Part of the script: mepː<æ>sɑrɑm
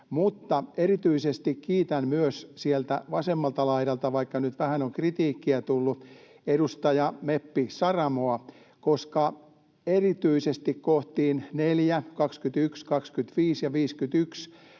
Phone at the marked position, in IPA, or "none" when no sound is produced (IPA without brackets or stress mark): i